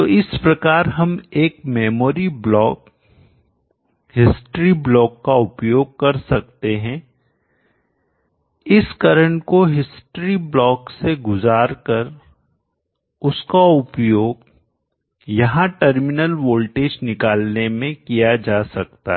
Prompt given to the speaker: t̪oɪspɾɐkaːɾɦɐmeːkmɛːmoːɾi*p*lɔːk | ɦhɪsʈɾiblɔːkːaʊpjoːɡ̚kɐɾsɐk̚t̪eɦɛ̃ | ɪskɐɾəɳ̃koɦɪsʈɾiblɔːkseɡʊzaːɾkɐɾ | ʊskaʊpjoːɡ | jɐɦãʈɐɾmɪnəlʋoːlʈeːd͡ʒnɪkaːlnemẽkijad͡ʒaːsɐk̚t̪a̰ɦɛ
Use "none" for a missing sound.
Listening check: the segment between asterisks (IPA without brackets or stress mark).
b